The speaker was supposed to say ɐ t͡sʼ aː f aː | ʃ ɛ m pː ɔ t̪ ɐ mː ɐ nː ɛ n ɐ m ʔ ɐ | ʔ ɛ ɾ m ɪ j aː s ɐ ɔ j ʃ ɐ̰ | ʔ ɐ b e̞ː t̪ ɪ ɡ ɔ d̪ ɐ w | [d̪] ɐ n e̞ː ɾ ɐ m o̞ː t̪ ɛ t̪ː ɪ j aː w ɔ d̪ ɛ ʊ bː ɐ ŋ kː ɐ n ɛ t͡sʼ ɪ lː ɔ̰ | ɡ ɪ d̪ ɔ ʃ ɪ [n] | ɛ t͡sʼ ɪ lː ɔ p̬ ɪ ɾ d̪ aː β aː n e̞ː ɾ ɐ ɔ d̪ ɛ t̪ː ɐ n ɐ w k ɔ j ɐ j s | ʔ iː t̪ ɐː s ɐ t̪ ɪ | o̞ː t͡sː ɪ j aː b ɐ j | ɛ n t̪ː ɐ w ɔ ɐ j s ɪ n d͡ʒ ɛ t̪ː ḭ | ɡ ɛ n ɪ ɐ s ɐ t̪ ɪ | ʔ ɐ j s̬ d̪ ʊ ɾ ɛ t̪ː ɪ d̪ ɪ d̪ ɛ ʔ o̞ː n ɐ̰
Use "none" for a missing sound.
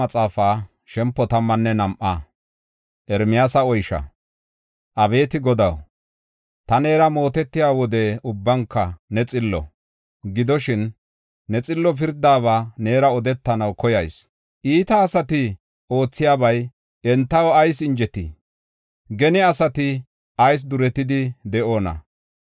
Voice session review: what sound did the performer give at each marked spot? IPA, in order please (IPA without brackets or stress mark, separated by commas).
t̪, nː